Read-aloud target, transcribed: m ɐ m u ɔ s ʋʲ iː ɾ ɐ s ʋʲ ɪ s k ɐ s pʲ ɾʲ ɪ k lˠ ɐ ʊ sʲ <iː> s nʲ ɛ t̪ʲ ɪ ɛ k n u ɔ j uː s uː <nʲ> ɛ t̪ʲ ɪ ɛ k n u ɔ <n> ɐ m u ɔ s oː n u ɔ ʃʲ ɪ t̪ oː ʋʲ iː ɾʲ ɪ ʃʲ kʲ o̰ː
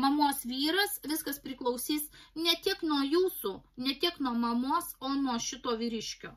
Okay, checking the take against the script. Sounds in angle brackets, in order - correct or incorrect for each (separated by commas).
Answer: correct, correct, incorrect